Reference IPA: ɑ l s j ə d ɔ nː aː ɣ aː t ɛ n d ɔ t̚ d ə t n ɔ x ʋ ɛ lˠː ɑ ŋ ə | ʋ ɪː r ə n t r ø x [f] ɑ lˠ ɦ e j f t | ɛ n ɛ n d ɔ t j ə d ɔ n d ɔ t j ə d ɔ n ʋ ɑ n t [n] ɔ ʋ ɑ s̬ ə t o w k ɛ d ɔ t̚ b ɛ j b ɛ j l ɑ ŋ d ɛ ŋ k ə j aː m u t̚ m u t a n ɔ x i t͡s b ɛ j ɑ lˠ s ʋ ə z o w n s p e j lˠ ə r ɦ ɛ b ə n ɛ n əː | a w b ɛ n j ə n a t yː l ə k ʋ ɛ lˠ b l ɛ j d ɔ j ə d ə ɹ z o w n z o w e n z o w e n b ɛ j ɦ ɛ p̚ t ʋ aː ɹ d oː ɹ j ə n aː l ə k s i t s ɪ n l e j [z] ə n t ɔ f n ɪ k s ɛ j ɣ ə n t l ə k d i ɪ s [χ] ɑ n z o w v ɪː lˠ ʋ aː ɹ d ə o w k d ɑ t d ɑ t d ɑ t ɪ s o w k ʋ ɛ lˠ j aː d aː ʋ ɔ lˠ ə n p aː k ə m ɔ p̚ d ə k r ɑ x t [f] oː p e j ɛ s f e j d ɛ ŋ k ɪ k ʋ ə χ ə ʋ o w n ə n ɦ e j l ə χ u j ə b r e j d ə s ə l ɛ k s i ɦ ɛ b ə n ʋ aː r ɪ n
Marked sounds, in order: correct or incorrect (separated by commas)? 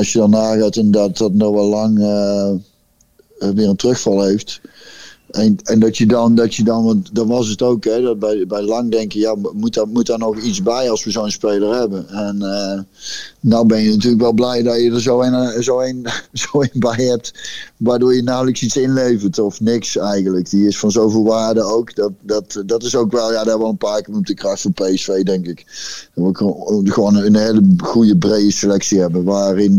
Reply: correct, incorrect, incorrect, incorrect, correct